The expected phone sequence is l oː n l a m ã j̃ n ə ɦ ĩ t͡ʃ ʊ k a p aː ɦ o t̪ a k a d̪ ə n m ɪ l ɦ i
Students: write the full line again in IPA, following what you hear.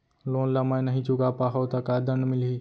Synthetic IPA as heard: l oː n l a m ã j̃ n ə ɦ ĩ t͡ʃ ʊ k a p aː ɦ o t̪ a k a d̪ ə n m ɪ l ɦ i